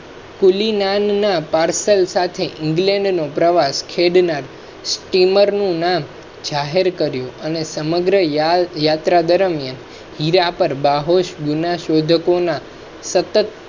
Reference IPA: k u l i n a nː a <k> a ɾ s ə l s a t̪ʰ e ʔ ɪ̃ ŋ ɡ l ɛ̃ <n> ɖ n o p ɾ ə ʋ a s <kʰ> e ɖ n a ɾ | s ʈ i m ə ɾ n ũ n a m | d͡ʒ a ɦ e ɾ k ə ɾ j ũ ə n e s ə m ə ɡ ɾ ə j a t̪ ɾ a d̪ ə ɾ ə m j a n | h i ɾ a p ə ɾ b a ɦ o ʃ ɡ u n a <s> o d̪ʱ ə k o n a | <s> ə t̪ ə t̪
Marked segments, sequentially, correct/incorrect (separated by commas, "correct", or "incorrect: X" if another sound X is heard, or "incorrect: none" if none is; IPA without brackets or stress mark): incorrect: p, incorrect: ɳ, correct, incorrect: ʃ, correct